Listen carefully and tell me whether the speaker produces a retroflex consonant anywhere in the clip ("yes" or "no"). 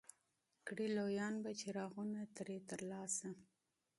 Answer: yes